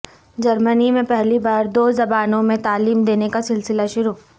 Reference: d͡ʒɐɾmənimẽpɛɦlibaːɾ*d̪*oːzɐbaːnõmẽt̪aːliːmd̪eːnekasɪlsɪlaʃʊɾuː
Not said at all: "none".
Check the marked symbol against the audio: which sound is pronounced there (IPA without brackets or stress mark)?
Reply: d̪